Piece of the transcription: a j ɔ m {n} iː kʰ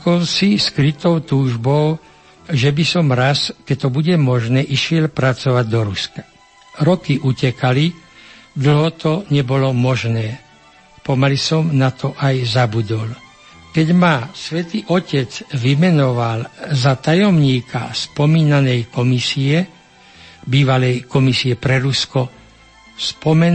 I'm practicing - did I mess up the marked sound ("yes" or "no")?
yes